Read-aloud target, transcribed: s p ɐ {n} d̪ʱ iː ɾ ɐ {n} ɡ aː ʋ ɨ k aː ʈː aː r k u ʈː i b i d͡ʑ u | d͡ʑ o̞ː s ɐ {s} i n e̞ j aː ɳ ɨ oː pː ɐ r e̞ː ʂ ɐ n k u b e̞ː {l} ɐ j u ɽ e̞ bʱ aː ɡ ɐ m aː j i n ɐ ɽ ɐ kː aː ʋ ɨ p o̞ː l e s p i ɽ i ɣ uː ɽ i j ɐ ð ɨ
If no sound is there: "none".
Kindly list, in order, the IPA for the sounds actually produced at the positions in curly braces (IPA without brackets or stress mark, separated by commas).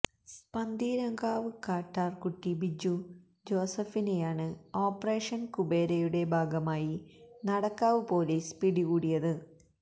n, ŋ, f, ɾ